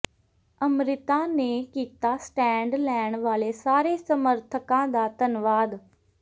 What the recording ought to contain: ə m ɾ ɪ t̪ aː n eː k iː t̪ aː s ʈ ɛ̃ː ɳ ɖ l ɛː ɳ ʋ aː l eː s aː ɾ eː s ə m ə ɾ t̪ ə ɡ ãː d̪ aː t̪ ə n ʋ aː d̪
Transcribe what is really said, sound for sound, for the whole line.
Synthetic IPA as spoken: ə m ɾ ɪ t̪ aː n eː k iː t̪ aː s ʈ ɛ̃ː ɳ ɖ l ɛː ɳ ʋ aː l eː s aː ɾ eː s ə m ə ɾ t̪ʰ ə k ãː d̪ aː t̪ ə n ʋ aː d̪